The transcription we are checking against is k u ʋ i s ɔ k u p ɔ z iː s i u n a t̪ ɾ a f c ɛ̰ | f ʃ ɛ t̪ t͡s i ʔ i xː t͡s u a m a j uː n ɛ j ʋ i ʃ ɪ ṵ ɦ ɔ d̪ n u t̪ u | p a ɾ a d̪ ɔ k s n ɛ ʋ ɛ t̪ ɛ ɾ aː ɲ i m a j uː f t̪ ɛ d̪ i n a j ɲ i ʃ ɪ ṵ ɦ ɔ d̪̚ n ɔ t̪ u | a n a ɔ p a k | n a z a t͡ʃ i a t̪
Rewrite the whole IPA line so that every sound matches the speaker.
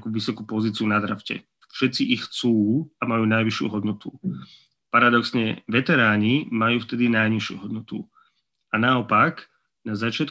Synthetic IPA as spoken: k u ʋ i s ɔ k u p ɔ z iː t͡s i u n a d̪ ɾ a f c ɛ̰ | f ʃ ɛ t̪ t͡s i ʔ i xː t͡s uː a m a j uː n a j ʋ i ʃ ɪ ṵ ɦ ɔ d̪ n ɔ t̪ u | p a ɾ a d̪ ɔ k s ɲ ɛ ʋ ɛ t̪ ɛ ɾ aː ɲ i m a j uː f t̪ ɛ d̪ i n a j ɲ i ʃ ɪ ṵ ɦ ɔ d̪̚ n ɔ t̪ u | a n a ɔ p a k | n a z a t͡ʃ ɪ a t̪